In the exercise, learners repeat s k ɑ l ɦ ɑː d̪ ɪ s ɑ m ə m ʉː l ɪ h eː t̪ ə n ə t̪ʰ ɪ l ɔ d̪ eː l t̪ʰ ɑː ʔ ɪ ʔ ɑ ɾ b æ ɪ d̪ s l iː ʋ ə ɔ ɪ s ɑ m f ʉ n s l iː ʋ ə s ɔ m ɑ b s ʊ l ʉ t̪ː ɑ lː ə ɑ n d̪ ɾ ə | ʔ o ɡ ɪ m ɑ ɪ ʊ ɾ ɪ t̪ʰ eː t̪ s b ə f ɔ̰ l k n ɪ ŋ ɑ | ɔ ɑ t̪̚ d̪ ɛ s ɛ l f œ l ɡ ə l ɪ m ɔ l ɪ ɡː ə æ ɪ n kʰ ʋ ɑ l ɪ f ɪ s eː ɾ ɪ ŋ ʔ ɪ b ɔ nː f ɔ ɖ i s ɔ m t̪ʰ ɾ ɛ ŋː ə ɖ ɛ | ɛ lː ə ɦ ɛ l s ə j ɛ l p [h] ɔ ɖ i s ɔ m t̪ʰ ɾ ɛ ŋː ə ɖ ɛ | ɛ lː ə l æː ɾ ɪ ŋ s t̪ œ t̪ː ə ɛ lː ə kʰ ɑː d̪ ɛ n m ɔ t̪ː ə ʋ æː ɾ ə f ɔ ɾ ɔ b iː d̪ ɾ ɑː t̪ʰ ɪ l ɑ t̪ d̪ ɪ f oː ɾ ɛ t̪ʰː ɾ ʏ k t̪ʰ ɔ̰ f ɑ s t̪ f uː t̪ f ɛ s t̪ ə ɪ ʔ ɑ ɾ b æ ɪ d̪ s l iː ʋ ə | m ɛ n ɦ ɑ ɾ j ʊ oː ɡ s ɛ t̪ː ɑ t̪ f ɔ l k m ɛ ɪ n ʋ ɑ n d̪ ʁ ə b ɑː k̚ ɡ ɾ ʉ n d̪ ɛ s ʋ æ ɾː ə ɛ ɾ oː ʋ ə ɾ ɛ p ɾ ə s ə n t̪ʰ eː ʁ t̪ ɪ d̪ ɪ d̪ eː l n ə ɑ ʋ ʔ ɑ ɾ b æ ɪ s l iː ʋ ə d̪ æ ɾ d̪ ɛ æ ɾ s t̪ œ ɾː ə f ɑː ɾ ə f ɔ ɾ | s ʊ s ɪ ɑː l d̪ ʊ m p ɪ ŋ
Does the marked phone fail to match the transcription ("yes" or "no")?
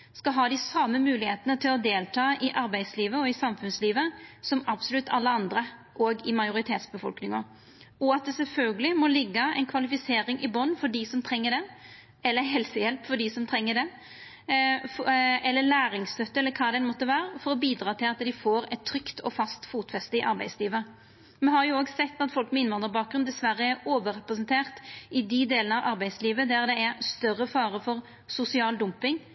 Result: yes